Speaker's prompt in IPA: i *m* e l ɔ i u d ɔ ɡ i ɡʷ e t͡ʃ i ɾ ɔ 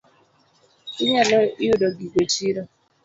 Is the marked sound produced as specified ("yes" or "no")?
no